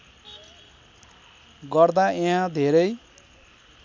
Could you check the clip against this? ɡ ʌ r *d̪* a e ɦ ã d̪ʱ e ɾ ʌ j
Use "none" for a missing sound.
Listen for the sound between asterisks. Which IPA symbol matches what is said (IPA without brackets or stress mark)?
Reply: d̪